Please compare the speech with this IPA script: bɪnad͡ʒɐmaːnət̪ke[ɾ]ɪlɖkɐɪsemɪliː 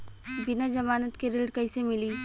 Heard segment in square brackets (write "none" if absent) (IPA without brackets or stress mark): ɾ